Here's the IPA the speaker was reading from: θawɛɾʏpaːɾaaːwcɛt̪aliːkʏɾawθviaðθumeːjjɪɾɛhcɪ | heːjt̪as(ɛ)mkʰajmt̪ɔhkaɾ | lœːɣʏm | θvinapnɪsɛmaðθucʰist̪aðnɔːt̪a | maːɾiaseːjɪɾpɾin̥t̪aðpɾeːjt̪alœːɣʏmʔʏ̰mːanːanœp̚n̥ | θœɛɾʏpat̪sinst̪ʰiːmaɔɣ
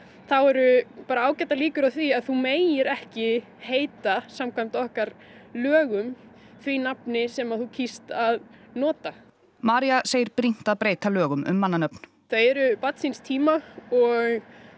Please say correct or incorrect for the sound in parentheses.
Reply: incorrect